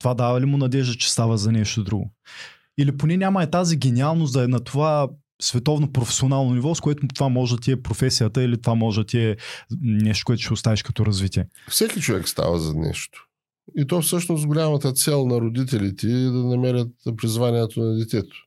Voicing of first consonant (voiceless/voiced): voiceless